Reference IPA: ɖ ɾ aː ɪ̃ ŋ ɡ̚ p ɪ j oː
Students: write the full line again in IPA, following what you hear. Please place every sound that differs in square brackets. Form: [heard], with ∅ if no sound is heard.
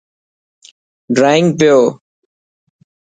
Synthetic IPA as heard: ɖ ɾ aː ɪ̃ ŋ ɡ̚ p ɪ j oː